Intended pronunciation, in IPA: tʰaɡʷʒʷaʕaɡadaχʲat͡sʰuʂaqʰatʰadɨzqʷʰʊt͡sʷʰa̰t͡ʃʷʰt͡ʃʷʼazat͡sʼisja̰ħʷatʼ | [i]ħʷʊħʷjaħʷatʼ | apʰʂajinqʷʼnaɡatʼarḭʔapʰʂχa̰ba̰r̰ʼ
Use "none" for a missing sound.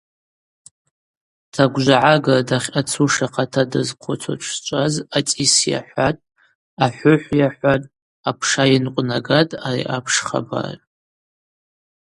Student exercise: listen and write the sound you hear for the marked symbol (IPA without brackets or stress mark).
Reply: a